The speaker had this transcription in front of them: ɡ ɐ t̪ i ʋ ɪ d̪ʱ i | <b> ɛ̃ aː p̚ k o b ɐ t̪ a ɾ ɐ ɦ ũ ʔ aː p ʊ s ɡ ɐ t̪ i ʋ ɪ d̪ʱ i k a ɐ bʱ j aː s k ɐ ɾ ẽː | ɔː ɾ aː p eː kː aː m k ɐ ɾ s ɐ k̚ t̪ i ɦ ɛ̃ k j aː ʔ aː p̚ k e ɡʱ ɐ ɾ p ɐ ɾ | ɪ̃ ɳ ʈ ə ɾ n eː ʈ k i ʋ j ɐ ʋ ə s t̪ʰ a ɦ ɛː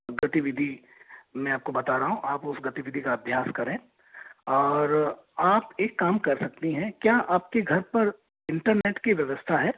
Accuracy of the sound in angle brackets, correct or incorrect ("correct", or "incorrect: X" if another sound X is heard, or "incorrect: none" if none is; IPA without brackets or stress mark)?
incorrect: m